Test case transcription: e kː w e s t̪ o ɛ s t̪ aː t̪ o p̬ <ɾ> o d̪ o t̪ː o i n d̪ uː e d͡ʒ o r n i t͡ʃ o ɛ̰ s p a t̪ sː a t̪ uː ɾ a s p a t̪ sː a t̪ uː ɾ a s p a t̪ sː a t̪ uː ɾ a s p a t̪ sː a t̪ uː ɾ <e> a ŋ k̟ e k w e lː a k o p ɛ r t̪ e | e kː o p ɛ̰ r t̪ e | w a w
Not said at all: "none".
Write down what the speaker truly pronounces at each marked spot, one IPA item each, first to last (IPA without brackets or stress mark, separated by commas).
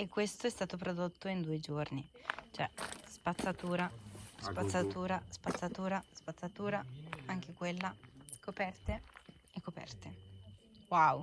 ɾ, a